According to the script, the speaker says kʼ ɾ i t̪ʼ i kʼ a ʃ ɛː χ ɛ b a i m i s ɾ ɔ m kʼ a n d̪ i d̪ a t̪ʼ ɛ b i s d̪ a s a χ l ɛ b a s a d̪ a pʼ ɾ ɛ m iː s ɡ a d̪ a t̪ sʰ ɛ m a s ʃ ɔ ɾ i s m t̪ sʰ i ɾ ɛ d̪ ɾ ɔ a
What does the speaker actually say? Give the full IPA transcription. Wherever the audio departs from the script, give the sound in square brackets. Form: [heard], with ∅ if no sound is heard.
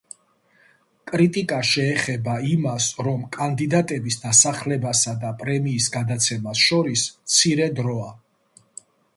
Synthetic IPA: kʼ ɾ i t̪ʼ i kʼ a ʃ ɛː χ ɛ b a i m [a] s ɾ ɔ m kʼ a n d̪ i d̪ a t̪ʼ ɛ b i s d̪ a s a χ l ɛ b a s a d̪ a pʼ ɾ ɛ m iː s ɡ a d̪ a t̪ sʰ ɛ m a s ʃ ɔ ɾ i s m t̪ sʰ i ɾ ɛ d̪ ɾ ɔ a